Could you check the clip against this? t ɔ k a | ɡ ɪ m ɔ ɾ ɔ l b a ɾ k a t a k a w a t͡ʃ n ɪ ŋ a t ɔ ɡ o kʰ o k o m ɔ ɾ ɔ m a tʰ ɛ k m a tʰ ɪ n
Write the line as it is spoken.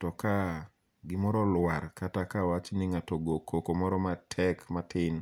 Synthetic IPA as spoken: t ɔ k a | ɡ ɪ m ɔ ɾ ɔ l w a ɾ k a t a k a w a t͡ʃ n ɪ ŋ a t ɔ ɡ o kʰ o k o m ɔ ɾ ɔ m a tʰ ɛ k m a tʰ ɪ n